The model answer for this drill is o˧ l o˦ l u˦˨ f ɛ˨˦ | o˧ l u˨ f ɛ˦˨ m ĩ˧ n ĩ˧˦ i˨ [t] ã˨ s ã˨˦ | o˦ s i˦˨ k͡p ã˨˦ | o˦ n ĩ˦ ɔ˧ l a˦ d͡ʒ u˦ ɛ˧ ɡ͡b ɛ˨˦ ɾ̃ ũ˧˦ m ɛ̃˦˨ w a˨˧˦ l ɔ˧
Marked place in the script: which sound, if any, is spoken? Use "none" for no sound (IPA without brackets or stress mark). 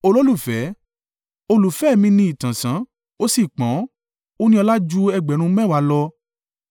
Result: t